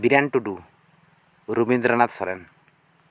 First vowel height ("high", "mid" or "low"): high